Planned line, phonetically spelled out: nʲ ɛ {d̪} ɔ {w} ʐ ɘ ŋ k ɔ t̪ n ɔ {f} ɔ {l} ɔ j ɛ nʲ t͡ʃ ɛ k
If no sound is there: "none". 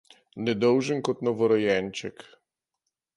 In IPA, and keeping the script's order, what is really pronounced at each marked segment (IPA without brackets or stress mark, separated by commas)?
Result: d̪, w, v, ɾ